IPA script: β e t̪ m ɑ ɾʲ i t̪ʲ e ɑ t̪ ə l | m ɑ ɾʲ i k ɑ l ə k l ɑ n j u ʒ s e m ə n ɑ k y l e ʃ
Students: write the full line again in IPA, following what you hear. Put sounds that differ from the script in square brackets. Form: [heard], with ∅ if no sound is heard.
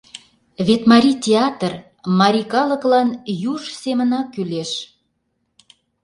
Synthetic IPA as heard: β e t̪ m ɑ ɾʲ i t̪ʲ e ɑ t̪ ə [r] | m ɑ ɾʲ i k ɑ l ə k l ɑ n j u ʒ s e m ə n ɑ k y l e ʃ